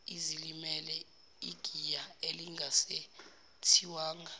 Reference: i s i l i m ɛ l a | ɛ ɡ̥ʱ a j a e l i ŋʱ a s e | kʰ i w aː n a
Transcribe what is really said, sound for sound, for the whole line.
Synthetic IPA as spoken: i z i l i m ɛ l ɛ | i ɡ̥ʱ i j a e l i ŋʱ a s e | tʰ i w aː ŋ a